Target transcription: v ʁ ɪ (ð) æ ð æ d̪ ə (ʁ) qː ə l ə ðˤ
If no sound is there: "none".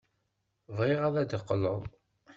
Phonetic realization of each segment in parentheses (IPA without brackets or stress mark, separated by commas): ʁ, none